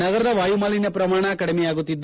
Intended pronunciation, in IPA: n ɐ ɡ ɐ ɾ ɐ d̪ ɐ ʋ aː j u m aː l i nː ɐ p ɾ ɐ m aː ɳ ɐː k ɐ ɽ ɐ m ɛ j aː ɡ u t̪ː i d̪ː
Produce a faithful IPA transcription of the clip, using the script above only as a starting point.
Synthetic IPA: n ɐ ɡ ɐ ɾ ɐ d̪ ɐ ʋ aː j u m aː l i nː ɐ p ɾ ɐ m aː ɳ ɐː k ɐ ɽ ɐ m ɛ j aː ɡ u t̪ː i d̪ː